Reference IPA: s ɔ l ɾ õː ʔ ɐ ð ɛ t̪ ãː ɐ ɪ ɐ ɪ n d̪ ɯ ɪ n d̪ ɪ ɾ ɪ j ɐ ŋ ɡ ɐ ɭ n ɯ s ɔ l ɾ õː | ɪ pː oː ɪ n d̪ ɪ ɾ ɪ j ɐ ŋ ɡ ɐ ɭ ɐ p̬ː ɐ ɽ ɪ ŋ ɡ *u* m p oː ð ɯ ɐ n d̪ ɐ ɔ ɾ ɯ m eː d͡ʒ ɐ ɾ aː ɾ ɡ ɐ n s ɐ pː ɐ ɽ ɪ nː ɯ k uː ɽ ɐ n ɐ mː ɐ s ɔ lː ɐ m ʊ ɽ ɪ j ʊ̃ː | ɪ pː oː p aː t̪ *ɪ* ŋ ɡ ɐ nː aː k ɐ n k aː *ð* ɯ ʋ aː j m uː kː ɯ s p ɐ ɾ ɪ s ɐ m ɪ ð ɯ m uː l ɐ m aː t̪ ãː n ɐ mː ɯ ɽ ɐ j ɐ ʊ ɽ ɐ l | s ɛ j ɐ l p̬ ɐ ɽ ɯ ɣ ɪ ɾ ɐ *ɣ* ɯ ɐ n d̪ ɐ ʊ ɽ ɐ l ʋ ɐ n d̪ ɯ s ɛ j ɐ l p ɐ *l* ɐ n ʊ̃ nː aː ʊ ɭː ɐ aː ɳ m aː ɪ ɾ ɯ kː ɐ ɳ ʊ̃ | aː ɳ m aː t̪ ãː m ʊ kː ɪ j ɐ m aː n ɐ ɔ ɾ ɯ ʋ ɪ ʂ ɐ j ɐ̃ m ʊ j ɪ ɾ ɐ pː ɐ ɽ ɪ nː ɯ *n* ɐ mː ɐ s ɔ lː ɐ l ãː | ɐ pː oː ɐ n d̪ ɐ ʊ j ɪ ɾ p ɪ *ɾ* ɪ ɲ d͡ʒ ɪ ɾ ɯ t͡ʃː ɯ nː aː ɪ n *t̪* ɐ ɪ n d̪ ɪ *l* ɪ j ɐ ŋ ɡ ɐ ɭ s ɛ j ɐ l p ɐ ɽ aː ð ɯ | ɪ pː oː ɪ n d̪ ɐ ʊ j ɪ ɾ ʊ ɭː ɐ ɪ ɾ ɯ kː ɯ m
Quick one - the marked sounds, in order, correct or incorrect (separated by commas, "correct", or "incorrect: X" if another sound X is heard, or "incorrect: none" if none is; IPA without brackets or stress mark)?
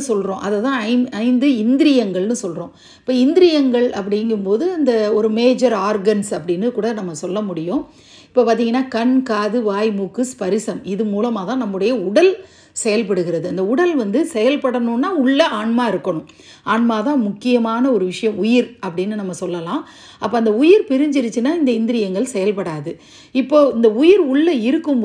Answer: incorrect: ɯ, incorrect: i, correct, incorrect: ð, incorrect: ɽ, correct, correct, incorrect: d̪, incorrect: ɾ